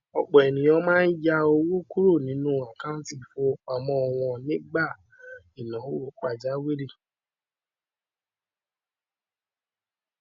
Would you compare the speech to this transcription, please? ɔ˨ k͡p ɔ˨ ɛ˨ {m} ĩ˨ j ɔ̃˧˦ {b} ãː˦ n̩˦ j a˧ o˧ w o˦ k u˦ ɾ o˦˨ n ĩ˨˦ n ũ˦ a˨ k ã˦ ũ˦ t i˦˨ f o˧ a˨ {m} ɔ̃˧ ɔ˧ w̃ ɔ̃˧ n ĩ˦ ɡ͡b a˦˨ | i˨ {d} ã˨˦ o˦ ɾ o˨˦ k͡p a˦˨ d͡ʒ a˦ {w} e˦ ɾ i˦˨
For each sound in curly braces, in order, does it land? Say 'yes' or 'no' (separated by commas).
no, no, yes, no, yes